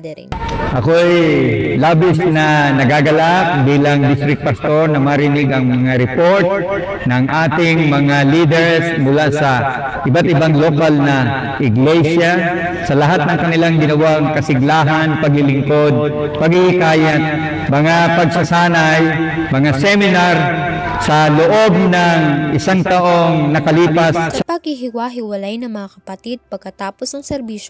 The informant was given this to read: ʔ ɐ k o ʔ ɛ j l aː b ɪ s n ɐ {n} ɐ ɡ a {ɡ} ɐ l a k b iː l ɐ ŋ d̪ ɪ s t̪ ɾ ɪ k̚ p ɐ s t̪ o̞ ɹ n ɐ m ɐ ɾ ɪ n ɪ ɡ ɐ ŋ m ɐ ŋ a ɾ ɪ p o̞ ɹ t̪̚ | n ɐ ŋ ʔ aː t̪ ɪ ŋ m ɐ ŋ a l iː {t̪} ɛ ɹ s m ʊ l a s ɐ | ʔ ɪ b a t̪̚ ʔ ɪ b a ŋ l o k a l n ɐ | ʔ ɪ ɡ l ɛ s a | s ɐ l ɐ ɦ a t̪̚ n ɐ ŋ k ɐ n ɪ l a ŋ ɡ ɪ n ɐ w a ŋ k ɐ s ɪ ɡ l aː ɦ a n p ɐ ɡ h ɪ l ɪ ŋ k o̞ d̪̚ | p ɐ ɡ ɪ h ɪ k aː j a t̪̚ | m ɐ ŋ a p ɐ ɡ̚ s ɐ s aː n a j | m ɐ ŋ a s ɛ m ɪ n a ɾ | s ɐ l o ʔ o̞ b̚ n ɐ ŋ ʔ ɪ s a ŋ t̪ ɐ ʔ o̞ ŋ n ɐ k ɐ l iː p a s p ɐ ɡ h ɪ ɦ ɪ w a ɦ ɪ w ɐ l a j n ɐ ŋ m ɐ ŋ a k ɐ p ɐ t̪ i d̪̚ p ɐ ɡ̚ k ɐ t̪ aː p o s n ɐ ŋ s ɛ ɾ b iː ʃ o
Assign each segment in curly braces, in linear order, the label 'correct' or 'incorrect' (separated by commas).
correct, correct, incorrect